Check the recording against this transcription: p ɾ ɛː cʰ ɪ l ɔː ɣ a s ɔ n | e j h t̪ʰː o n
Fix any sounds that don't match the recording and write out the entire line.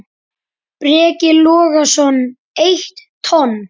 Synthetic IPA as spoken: p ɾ ɛː c ɪ l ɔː ɣ a s ɔ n | e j h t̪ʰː ɔ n